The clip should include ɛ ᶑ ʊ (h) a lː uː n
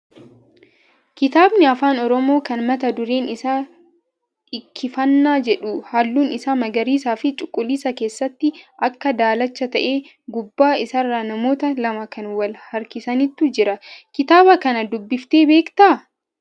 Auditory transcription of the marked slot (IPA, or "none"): h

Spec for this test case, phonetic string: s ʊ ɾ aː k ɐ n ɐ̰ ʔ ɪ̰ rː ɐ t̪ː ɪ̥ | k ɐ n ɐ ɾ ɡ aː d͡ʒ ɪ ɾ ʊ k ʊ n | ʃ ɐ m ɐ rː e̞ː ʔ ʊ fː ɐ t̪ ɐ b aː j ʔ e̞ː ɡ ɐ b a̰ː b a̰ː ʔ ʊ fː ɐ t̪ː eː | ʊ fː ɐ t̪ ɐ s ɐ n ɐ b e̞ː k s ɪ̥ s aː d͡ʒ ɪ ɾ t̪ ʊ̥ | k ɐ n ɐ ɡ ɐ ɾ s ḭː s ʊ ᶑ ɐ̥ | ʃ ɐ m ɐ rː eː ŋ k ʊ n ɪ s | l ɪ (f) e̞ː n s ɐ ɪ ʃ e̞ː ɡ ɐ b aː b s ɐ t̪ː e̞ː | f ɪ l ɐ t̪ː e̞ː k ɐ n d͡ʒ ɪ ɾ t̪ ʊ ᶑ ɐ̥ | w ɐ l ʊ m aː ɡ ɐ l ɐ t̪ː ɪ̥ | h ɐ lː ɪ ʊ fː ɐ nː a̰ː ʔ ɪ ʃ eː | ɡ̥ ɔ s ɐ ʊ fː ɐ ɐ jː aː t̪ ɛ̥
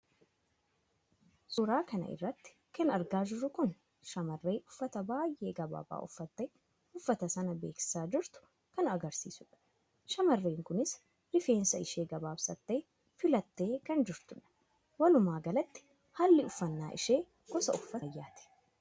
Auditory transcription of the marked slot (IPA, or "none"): f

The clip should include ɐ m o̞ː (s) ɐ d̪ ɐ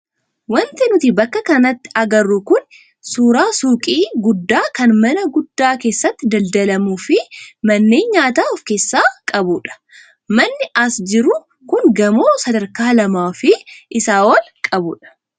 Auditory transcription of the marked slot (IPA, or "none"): s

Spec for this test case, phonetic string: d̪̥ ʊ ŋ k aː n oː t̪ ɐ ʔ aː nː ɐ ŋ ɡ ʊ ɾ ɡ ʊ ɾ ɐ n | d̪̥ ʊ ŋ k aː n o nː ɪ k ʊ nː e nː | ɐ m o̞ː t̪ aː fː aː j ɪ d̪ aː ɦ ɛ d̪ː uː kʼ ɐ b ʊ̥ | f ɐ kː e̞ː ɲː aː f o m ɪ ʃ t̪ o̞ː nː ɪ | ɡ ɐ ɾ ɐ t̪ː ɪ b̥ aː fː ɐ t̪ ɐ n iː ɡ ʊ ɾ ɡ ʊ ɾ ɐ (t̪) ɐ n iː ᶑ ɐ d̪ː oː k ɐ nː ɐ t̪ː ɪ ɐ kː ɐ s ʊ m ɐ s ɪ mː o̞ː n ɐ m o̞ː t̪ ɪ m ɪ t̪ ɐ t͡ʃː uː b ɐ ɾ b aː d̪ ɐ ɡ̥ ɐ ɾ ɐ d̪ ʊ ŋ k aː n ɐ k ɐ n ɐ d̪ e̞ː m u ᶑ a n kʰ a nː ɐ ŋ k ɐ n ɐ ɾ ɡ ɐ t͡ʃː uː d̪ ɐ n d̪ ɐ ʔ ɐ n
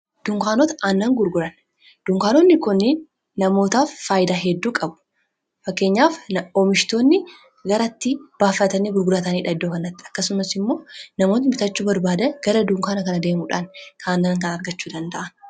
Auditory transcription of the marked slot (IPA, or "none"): t̪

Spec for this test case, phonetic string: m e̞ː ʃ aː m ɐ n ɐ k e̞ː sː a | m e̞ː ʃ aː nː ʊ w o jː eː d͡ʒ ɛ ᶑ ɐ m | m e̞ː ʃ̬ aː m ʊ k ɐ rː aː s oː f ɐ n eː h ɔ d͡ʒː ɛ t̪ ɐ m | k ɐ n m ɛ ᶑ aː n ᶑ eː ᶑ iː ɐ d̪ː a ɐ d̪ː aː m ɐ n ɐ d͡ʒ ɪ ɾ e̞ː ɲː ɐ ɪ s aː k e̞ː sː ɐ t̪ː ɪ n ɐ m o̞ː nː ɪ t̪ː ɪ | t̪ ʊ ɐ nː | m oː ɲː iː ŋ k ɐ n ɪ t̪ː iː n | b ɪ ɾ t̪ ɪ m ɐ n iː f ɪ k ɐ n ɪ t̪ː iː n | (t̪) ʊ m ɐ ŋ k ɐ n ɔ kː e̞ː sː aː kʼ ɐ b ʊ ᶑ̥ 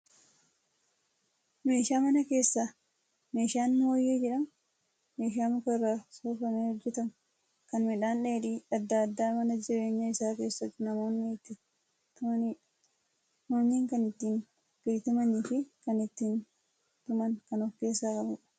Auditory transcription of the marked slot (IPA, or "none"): t̪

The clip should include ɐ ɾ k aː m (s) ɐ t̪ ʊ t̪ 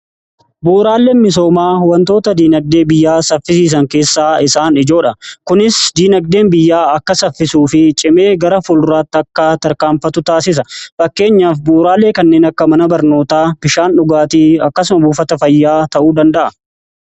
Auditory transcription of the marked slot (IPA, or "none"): f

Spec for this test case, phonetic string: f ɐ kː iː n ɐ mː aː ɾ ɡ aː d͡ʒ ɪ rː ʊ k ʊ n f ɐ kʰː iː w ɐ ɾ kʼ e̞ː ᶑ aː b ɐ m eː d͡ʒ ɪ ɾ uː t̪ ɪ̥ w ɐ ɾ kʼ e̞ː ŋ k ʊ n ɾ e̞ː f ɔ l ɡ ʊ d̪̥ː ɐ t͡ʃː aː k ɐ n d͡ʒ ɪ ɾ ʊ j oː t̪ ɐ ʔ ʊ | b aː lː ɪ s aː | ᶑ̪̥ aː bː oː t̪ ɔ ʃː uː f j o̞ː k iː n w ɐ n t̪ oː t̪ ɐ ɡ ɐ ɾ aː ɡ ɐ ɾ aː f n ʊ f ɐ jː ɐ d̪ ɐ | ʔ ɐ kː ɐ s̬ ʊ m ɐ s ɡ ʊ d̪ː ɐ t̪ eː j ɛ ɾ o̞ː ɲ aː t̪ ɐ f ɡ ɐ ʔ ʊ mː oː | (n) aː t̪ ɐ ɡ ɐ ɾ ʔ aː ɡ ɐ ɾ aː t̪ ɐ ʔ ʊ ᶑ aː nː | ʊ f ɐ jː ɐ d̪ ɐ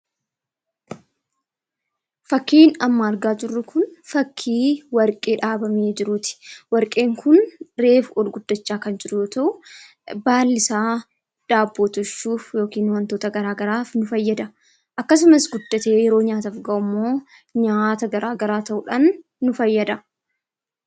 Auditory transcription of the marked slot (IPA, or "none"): ɲ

